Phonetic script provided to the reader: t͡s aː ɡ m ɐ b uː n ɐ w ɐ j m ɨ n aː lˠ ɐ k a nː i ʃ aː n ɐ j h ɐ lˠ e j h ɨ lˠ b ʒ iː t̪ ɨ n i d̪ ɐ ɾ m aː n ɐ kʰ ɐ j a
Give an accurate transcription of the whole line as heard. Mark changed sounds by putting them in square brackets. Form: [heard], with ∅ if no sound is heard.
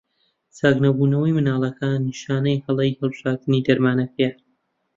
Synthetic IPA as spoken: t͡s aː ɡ [n] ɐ b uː n ɐ w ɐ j m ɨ n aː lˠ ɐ k a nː i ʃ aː n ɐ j h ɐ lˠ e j h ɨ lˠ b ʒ [aː] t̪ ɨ n i d̪ ɐ ɾ m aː n ɐ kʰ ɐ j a